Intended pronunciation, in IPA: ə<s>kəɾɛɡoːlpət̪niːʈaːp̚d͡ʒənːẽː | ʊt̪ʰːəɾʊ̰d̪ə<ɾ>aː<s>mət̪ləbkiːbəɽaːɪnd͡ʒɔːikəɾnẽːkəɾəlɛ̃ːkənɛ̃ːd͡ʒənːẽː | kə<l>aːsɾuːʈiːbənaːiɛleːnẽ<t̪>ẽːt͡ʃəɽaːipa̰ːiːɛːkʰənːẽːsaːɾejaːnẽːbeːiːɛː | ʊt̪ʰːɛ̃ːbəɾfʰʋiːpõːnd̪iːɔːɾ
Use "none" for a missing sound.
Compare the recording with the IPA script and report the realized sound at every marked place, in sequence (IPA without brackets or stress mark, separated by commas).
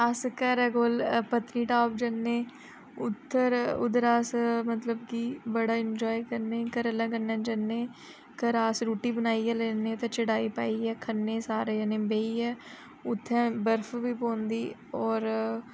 s, ɾ, s, ɾ, t̪